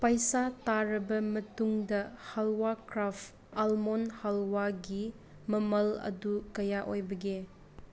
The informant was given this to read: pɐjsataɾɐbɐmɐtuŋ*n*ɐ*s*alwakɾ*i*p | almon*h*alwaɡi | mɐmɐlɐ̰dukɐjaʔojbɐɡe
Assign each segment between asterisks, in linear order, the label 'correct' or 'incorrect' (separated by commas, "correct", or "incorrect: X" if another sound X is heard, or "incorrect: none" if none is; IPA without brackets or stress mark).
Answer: incorrect: d, incorrect: h, incorrect: a, correct